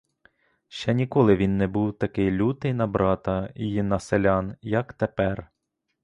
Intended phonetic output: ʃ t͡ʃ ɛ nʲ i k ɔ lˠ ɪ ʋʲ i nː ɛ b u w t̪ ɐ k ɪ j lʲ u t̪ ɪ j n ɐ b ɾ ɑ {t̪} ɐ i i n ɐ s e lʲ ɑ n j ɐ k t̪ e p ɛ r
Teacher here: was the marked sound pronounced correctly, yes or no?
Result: yes